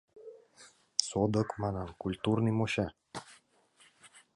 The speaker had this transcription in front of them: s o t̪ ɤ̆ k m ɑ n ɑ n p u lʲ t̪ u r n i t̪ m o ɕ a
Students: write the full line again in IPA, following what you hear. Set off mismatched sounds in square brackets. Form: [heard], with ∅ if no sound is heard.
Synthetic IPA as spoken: s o [d̪] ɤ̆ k m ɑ n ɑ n [k] u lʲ t̪ u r n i [∅] m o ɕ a